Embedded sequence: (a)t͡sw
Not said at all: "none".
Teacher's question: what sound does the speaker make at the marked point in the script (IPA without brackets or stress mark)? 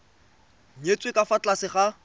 e